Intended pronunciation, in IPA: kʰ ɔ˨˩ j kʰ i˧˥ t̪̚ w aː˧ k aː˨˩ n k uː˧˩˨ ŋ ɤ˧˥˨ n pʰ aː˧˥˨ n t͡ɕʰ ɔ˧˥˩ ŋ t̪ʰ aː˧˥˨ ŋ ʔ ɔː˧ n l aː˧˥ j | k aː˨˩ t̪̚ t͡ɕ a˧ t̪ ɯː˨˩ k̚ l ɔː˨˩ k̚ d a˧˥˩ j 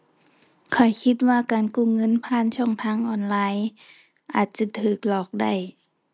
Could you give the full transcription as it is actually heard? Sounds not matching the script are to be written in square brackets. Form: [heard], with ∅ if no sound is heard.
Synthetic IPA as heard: kʰ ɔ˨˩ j kʰ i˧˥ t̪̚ w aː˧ k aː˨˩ n k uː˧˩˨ ŋ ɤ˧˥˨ n pʰ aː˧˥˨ n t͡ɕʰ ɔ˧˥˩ ŋ t̪ʰ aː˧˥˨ ŋ ʔ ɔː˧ n l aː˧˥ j | [ʔ] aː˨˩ t̪̚ t͡ɕ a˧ [t̪ʰ] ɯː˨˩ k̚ l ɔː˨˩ k̚ d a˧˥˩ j

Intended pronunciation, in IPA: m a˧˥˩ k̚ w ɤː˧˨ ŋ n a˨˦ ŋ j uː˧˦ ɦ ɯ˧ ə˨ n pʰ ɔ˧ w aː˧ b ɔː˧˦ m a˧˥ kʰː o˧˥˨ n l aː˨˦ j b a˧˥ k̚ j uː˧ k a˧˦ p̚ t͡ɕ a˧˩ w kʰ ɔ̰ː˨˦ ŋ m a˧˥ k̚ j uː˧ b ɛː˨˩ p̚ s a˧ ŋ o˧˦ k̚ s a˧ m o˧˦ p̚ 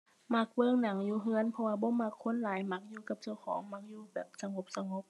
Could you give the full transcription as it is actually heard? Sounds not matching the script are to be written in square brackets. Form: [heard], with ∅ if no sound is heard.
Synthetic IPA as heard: m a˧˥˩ k̚ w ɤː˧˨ ŋ n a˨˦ ŋ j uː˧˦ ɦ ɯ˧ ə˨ n pʰ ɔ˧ w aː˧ b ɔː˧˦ m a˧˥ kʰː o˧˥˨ n l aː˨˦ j [m] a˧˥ k̚ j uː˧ k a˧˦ p̚ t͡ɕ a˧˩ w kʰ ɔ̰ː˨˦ ŋ m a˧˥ k̚ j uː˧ b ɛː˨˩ p̚ s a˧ ŋ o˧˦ [p̚] s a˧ [ŋ] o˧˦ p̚

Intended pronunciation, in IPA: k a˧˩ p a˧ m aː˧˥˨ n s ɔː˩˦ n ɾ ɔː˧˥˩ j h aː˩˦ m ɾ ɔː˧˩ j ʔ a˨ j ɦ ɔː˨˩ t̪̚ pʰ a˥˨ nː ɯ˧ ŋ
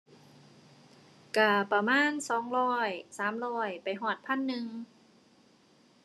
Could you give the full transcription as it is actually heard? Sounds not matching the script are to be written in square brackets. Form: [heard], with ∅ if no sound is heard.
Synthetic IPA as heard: k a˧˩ p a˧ m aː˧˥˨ n s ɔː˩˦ [ŋ] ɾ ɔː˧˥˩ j [s] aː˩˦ m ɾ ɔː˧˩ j [p] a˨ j ɦ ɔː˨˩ t̪̚ pʰ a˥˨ nː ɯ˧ ŋ

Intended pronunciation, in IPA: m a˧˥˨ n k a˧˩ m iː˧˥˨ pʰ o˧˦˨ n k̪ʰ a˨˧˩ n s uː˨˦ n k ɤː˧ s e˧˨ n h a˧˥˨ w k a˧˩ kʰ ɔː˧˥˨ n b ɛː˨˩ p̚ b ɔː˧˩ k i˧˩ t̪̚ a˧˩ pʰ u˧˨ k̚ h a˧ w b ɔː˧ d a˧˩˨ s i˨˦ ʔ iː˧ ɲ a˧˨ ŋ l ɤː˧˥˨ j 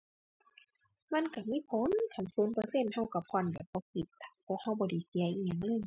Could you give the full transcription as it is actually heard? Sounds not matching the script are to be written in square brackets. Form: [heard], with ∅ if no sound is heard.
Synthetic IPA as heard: m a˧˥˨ n k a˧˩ m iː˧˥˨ pʰ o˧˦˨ n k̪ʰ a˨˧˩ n s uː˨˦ n [p] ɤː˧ s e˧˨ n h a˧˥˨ w k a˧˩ [pʰ] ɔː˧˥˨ n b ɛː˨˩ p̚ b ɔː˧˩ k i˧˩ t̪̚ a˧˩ pʰ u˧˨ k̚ h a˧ w b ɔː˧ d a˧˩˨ s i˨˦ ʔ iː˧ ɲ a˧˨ ŋ l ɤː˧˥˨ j

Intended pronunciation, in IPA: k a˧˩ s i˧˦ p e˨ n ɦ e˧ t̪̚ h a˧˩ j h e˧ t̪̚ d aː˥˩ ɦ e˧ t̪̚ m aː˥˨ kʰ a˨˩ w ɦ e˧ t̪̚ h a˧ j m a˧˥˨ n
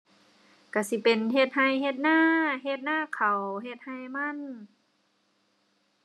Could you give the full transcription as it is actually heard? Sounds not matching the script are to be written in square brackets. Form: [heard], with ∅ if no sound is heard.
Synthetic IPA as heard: k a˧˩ s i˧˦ p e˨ n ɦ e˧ t̪̚ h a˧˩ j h e˧ t̪̚ [n] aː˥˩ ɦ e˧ t̪̚ [n] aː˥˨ kʰ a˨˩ w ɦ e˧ t̪̚ h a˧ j m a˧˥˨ n

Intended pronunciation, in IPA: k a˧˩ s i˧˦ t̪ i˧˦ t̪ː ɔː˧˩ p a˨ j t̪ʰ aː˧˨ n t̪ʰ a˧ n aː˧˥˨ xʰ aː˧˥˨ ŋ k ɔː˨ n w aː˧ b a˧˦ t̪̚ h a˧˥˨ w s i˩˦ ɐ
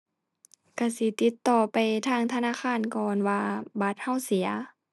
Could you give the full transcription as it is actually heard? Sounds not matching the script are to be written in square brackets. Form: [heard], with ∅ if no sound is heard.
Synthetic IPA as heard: k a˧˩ s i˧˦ t̪ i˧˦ t̪ː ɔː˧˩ p a˨ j t̪ʰ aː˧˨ [ŋ] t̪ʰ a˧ n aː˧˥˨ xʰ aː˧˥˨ [n] k ɔː˨ n w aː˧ b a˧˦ t̪̚ h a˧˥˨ w s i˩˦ ɐ

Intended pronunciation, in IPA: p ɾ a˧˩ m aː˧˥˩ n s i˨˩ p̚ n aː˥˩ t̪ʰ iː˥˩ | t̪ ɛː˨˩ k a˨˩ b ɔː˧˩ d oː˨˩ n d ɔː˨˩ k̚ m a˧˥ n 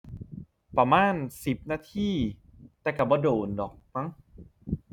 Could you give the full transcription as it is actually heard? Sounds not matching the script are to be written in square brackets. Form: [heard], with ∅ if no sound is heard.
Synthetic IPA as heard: p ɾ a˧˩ m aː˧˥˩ n s i˨˩ p̚ n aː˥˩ t̪ʰ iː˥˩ | t̪ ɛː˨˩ k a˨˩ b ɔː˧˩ d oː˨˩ n d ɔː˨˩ k̚ m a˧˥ [ŋ]

